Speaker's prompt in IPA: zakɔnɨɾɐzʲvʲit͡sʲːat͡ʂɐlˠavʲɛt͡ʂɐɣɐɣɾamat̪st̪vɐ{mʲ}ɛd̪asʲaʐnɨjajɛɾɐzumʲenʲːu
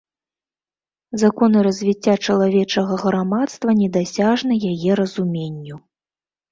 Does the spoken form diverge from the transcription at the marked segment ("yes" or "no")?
yes